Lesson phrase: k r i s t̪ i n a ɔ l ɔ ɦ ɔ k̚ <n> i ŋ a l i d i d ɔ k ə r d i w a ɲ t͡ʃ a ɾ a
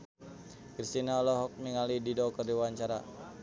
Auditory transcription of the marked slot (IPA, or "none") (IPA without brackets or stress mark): m